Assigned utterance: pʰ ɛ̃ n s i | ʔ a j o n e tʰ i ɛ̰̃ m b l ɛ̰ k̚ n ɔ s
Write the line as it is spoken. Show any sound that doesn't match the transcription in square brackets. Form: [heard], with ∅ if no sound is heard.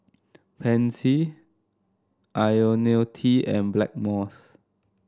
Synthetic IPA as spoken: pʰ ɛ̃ n s i | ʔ a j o n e tʰ i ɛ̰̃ [n] b l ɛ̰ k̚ [m] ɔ s